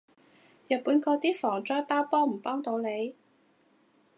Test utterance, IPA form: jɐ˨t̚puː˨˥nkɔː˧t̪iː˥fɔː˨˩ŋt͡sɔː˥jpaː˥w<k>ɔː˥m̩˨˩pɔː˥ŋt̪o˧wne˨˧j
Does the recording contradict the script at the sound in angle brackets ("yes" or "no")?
yes